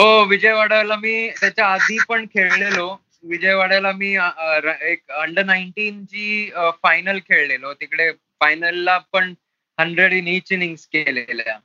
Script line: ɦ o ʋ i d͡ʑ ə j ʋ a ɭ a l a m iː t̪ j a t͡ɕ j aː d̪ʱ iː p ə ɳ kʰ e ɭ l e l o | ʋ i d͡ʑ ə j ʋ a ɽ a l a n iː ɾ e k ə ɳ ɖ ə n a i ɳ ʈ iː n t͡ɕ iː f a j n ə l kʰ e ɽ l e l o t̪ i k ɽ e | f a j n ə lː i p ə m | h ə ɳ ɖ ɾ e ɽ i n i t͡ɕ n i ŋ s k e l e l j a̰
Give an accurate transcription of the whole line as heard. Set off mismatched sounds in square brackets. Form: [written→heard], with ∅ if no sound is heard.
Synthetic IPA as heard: ɦ o ʋ i d͡ʑ ə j ʋ a [ɭ→ɽ] a l a m iː t̪ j a t͡ɕ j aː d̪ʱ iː p ə ɳ kʰ e ɭ l e l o | ʋ i d͡ʑ ə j ʋ a ɽ a l a [n→m] iː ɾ e k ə ɳ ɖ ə n a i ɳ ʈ iː n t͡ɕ iː f a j n ə l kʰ e [ɽ→ɭ] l e l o t̪ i k ɽ e | f a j n ə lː [i→a] p ə [m→ɳ] | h ə ɳ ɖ ɾ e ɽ i n i t͡ɕ n i ŋ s k e l e l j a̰